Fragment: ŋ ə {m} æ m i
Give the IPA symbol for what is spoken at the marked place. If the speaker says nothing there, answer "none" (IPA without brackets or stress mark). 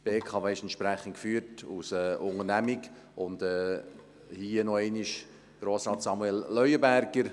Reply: n